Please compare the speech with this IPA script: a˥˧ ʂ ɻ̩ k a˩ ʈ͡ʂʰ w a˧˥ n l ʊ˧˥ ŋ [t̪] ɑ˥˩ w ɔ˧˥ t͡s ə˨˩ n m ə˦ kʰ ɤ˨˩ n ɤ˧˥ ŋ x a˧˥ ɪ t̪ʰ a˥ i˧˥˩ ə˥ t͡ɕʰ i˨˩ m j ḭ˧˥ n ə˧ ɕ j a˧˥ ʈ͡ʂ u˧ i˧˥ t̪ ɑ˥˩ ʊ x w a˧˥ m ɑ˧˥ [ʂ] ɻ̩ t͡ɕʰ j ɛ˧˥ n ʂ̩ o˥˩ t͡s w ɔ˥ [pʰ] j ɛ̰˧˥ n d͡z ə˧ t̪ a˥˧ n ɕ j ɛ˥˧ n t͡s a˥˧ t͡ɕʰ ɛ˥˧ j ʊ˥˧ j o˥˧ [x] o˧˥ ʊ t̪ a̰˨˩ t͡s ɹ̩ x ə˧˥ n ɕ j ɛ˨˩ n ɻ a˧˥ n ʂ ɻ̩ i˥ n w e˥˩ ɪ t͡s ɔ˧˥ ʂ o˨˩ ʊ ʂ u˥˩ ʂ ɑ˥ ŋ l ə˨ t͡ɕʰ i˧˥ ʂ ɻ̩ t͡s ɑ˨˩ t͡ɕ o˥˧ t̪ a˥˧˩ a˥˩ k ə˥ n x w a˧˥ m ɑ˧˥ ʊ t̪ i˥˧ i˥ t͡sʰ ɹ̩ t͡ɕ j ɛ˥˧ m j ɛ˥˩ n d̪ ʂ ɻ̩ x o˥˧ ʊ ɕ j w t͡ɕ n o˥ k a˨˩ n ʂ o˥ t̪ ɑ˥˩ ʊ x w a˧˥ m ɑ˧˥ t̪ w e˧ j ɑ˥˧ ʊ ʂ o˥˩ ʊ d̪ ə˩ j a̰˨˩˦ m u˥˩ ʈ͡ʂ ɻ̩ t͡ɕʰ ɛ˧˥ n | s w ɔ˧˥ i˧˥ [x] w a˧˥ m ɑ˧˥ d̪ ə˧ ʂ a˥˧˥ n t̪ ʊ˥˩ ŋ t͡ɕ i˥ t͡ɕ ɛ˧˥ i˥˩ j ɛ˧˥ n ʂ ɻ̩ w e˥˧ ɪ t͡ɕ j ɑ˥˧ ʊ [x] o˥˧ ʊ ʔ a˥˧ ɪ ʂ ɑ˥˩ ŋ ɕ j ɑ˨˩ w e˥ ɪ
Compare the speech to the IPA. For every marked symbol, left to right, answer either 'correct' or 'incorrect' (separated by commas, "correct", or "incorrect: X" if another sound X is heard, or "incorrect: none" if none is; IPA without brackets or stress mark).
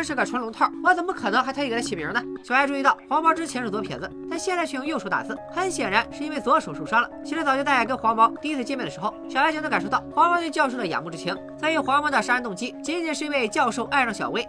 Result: incorrect: t̪ʰ, incorrect: ʈ͡ʂ, correct, incorrect: ʂ, correct, incorrect: ʂ